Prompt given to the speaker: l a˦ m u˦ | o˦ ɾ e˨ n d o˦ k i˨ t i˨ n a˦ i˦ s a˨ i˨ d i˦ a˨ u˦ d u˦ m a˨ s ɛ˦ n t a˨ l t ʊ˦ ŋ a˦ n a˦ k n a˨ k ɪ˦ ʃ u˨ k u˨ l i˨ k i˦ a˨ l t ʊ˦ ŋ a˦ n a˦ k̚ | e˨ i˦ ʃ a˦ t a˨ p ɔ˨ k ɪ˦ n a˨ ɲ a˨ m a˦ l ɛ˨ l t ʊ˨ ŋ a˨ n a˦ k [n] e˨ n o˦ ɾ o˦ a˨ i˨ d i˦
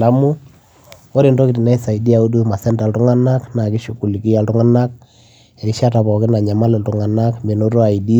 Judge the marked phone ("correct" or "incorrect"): incorrect